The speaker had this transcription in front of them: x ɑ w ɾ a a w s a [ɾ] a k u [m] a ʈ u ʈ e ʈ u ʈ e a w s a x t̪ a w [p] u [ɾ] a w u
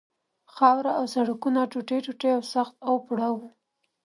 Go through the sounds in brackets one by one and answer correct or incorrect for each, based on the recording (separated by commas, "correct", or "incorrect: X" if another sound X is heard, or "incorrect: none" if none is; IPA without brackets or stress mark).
incorrect: ɽ, incorrect: n, correct, incorrect: ɽ